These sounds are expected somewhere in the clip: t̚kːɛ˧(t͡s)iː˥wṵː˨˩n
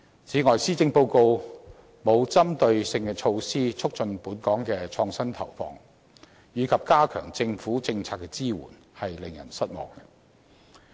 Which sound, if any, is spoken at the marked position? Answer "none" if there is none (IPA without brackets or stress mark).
t͡s